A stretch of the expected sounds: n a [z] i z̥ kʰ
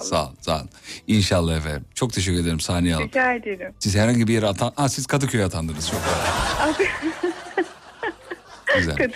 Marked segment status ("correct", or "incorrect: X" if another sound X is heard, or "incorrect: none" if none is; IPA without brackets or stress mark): incorrect: s